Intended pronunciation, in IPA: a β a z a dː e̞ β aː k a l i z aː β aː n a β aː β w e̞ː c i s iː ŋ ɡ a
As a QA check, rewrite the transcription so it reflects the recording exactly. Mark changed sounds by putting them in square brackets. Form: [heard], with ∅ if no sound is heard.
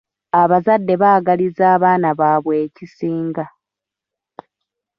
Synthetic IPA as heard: a β a z a dː e̞ β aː [ɡ] a l i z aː β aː n a β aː β w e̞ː c i s iː ŋ ɡ a